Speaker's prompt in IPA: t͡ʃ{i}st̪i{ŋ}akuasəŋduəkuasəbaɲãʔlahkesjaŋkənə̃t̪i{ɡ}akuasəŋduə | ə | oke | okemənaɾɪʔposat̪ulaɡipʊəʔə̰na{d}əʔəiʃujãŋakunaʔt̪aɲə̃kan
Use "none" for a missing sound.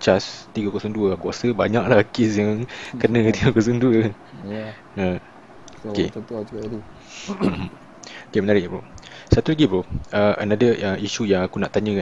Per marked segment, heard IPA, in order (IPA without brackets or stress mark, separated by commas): a, ɡ, ɡ, d